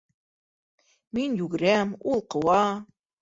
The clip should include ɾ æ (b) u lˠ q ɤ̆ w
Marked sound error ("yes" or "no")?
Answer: yes